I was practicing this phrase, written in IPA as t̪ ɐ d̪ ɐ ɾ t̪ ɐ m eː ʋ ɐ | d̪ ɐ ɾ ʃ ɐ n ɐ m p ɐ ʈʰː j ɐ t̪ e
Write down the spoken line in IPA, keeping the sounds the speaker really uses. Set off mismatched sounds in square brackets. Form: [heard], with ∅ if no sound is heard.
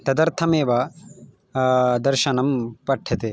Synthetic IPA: t̪ ɐ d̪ ɐ ɾ [t̪ʰ] ɐ m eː ʋ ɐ | d̪ ɐ ɾ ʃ ɐ n ɐ m p ɐ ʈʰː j ɐ t̪ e